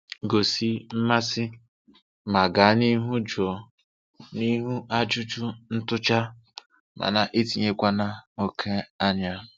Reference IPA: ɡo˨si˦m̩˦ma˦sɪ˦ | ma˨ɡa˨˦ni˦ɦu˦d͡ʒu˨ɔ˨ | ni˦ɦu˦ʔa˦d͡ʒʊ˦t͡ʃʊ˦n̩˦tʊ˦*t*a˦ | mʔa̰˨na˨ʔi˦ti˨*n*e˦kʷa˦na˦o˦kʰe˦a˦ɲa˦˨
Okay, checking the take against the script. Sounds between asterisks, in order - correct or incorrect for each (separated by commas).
incorrect, incorrect